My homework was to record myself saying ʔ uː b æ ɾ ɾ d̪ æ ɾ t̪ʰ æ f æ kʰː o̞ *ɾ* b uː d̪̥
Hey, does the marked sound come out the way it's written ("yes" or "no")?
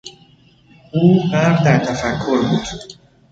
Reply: yes